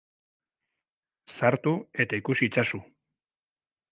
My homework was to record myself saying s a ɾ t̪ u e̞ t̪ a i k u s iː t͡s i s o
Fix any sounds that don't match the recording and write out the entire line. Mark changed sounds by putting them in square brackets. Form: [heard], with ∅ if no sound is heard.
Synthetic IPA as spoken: s a ɾ t̪ u e̞ t̪ a i k u s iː t͡s [a] s [u]